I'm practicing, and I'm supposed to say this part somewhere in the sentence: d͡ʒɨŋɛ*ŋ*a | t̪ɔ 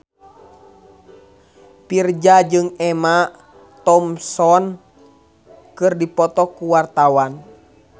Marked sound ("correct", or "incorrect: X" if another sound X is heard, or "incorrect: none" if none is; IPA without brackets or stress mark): incorrect: m